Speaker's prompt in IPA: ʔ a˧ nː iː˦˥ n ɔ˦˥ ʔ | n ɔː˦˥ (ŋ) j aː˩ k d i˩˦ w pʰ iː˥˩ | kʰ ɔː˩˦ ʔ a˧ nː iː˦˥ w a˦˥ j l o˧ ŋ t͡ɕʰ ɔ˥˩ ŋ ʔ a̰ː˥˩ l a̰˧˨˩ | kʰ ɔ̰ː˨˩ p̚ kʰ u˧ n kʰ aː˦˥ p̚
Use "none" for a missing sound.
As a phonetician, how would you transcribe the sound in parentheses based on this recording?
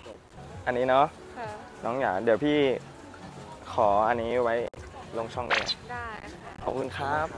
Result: ŋ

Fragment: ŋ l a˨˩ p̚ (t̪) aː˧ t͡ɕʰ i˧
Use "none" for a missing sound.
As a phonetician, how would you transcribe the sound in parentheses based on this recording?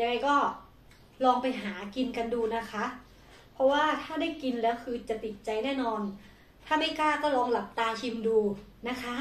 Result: t̪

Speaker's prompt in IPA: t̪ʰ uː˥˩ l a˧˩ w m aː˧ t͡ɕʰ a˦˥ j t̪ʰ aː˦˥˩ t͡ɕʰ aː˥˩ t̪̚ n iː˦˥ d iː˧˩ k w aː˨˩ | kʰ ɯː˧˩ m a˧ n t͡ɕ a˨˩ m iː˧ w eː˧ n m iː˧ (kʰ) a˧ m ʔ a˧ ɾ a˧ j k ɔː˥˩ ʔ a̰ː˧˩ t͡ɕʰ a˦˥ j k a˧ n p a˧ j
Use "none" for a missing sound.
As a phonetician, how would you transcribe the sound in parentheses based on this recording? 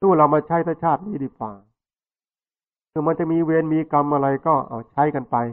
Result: k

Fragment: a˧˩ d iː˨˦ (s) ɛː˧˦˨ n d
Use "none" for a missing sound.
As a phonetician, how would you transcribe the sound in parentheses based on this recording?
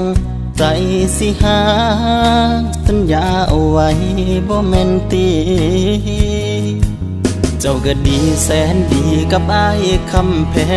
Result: s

